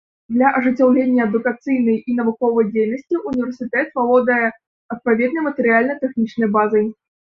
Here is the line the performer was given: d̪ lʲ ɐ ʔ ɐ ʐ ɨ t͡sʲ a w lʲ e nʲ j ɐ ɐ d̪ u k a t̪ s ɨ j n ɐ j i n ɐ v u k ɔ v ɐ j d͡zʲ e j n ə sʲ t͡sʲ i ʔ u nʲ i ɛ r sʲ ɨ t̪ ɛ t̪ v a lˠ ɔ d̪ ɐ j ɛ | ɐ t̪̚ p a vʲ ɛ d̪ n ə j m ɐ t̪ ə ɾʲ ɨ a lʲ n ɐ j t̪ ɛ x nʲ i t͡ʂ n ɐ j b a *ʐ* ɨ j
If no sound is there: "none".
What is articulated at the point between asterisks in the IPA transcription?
z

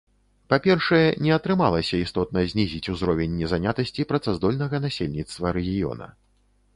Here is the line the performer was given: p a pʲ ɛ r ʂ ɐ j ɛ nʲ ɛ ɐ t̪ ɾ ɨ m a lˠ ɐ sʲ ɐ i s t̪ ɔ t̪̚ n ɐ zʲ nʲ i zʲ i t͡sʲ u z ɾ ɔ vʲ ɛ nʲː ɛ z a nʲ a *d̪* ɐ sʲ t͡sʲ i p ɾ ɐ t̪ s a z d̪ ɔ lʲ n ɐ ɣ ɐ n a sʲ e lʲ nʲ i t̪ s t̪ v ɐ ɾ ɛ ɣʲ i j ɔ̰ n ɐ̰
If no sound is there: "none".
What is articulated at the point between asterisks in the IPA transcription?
t̪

